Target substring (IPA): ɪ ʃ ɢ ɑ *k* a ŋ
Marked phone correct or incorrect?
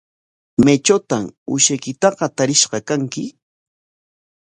correct